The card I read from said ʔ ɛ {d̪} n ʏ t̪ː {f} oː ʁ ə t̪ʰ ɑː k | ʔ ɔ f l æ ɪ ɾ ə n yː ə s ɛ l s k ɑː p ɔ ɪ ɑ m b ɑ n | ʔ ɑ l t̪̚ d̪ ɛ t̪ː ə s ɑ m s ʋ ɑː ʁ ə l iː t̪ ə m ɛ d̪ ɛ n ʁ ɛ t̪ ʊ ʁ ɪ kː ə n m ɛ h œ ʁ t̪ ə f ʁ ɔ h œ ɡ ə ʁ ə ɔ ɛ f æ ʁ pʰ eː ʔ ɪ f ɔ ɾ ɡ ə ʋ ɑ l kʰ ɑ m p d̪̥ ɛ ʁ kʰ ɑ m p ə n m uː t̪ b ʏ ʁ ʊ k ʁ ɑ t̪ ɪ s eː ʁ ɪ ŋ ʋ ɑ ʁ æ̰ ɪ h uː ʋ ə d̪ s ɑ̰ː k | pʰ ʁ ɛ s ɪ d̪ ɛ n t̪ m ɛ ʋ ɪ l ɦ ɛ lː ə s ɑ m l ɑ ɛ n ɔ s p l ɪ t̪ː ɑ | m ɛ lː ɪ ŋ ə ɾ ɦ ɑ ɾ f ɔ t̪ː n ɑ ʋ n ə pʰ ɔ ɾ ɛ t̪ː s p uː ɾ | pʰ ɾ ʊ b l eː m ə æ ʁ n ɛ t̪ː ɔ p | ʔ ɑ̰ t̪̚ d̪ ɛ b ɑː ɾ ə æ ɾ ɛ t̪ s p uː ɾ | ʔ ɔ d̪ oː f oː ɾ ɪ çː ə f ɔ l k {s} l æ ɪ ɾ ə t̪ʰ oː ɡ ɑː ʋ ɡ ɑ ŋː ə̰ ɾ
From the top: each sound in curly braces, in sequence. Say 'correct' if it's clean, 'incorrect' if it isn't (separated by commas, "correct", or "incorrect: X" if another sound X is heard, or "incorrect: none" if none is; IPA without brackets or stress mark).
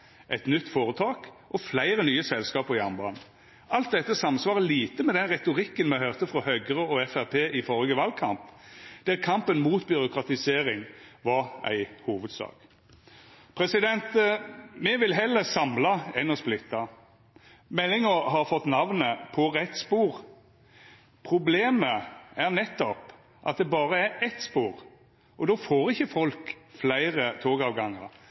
incorrect: t̪, correct, incorrect: f